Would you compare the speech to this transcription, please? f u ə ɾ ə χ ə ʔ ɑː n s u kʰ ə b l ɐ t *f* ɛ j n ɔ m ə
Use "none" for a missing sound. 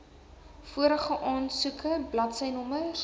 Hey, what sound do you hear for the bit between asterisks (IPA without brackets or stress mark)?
s